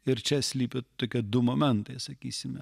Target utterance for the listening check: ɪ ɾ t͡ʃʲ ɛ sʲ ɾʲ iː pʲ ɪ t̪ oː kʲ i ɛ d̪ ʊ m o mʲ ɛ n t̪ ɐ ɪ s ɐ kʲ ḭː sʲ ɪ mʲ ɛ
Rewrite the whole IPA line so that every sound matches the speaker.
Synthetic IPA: ɪ ɾ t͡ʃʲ ɛ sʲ lʲ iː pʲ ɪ t̪ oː kʲ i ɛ d̪ ʊ m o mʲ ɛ n t̪ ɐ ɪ s ɐ kʲ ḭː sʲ ɪ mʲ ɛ